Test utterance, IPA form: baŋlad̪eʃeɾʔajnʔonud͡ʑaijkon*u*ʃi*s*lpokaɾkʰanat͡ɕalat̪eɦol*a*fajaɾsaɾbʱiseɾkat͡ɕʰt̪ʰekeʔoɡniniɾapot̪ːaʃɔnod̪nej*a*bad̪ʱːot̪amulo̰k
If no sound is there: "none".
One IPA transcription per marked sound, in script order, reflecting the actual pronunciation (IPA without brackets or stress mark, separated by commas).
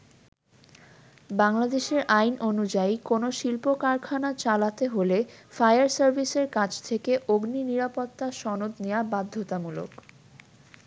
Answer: o, none, e, a